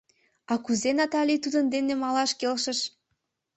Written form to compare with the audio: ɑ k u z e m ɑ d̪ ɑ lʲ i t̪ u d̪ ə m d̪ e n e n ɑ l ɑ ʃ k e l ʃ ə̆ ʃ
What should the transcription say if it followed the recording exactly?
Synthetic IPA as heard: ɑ k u z e n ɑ t̪ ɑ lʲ i t̪ u d̪ ə n d̪ e n e m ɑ l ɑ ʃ k e l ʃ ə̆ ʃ

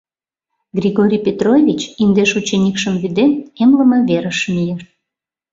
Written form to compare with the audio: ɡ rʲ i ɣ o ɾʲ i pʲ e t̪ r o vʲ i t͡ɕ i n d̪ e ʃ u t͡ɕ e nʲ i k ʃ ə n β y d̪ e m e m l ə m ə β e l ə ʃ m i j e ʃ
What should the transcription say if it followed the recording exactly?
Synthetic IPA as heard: ɡ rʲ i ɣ o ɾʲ i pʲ e t̪ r o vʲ i t͡ɕ i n d̪ e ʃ u t͡ɕ e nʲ i k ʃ ə m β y d̪ e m e m l ə m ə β e ɾ ə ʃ m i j e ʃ

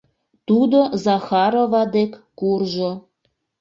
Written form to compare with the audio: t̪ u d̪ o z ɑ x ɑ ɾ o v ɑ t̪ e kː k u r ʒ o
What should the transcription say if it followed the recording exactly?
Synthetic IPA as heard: t̪ u d̪ o z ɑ x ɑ ɾ o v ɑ d̪ e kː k u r ʒ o

